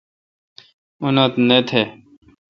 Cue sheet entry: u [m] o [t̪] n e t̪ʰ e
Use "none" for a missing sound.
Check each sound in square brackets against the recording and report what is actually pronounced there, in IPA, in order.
n, t̪

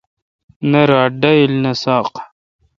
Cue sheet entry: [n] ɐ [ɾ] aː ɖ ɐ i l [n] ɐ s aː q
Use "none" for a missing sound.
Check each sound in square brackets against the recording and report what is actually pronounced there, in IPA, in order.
n, ɾ, n

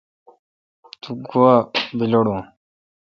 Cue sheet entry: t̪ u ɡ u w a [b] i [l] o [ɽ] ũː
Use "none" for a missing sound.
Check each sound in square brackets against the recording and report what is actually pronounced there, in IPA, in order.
b, l, ɽ

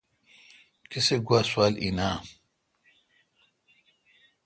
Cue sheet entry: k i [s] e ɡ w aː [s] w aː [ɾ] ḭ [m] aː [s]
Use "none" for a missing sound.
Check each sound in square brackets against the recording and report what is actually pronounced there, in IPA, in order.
s, s, l, n, none

